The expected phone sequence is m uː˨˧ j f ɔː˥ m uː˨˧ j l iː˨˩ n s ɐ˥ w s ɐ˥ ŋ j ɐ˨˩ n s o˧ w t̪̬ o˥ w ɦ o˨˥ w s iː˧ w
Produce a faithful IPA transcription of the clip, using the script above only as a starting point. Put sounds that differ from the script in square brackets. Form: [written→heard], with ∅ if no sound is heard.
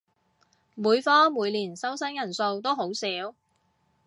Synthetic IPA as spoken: m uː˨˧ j f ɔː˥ m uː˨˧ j l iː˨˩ n s ɐ˥ w s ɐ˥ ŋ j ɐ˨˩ n s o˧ w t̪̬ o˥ w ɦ o˨˥ w s [iː˧→iː˨˥] w